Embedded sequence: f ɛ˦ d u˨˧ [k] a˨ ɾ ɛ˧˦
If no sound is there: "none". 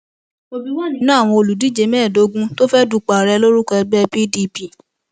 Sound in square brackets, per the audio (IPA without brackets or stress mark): k͡p